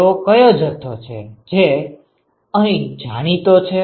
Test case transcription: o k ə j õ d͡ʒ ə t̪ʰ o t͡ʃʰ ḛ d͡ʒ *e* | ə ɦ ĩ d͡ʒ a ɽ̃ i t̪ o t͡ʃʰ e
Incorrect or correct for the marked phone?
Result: correct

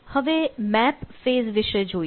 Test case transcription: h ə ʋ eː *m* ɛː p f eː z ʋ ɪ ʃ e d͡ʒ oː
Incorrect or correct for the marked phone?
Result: correct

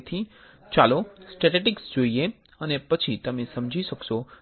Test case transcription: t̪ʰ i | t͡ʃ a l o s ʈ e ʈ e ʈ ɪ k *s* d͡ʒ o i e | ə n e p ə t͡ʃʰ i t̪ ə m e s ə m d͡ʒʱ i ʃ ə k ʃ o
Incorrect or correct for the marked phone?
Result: correct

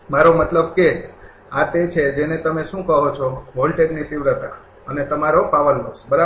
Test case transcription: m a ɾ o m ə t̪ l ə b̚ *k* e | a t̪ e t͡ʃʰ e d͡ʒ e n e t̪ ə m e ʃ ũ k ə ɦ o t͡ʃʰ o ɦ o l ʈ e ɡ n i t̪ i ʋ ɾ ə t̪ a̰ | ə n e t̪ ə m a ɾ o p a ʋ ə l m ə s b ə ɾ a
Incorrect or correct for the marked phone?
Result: correct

